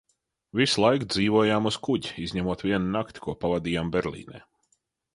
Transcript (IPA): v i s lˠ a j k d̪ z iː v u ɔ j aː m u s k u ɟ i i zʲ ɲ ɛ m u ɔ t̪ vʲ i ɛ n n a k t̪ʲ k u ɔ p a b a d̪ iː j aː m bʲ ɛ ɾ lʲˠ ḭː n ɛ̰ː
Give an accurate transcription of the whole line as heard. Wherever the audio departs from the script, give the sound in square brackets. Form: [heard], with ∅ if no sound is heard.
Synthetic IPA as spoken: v i s lˠ a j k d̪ z iː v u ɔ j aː m u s k u ɟ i i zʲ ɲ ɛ m u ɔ t̪ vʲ i ɛ n n a k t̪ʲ k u ɔ p a [v] a d̪ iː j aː m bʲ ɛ ɾ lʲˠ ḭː n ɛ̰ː